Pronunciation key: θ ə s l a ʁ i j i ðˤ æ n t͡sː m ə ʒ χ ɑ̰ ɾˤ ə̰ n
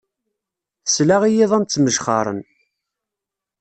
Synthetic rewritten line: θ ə s l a ʁ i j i ðˤ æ n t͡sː m ə ʒ χ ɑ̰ ɾˤ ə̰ n